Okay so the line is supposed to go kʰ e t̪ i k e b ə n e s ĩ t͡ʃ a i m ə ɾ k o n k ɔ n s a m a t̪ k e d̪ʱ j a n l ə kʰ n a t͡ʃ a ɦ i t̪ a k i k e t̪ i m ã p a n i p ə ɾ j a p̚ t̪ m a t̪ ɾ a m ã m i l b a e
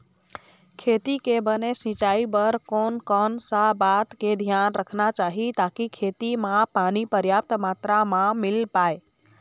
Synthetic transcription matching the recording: kʰ e t̪ i k e b ə n e s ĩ t͡ʃ a i b ə ɾ k o n k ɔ n s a b a t̪ k e d̪ʱ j a n ɾ ə kʰ n a t͡ʃ a ɦ i t̪ a k i kʰ e t̪ i m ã p a n i p ə ɾ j a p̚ t̪ m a t̪ ɾ a m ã m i l p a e